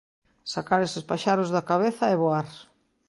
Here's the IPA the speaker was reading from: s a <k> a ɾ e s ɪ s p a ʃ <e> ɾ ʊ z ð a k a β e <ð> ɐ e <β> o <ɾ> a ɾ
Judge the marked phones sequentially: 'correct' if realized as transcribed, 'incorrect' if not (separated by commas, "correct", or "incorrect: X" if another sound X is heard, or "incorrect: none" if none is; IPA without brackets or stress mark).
correct, incorrect: a, incorrect: θ, correct, incorrect: none